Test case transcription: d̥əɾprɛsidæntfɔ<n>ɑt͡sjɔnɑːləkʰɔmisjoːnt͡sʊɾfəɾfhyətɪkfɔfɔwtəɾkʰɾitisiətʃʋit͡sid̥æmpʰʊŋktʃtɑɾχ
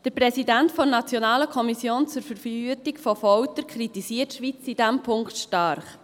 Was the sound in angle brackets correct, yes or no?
yes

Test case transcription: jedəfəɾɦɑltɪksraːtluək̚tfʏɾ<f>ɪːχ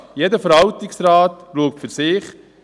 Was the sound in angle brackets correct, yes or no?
no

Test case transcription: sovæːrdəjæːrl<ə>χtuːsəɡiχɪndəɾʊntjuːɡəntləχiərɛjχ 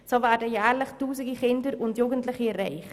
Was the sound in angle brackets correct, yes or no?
yes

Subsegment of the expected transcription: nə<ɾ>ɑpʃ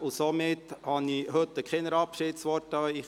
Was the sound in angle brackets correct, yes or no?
yes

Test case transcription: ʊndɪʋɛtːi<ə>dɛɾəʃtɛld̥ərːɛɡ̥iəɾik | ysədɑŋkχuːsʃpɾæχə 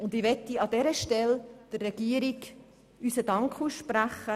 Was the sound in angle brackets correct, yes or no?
no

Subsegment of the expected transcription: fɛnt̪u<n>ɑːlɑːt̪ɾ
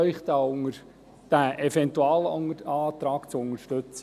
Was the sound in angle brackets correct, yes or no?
no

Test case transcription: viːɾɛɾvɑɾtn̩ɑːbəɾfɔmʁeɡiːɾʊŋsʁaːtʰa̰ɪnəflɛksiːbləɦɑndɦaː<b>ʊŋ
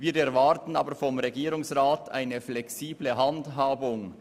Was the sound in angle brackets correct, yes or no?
yes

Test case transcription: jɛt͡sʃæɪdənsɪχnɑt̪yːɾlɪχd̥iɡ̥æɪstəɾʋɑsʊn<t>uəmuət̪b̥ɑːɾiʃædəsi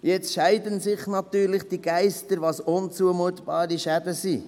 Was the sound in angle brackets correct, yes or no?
no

